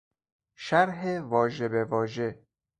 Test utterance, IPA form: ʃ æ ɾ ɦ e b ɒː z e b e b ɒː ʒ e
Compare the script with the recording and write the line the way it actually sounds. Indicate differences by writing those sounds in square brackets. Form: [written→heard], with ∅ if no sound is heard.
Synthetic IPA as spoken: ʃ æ ɾ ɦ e [b→v] ɒː [z→ʒ] e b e [b→v] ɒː ʒ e